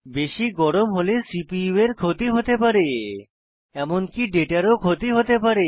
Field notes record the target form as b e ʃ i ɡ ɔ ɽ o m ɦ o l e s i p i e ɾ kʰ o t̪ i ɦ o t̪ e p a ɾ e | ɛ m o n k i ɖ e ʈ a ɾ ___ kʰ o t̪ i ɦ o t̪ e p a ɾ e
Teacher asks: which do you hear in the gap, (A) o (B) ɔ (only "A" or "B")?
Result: A